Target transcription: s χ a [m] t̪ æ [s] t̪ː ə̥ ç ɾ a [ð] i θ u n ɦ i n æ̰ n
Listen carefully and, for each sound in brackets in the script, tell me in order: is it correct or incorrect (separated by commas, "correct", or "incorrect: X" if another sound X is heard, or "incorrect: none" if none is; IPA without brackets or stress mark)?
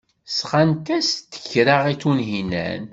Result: incorrect: n, correct, incorrect: ʁ